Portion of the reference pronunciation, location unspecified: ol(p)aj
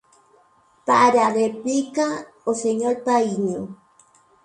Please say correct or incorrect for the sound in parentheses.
correct